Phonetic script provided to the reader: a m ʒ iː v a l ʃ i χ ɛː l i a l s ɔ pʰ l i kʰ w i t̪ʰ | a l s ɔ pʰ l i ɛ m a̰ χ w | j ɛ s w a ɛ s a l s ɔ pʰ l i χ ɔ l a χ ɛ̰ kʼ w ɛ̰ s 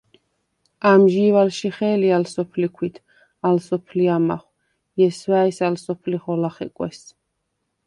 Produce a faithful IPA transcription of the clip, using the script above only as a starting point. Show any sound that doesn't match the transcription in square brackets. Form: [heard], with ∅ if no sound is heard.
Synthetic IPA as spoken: a m ʒ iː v a l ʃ i χ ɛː l i a l s ɔ pʰ l i kʰ w i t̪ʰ | a l s ɔ pʰ l i [a] m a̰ χ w | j ɛ s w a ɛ s a l s ɔ pʰ l i χ ɔ l a χ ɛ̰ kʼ w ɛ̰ s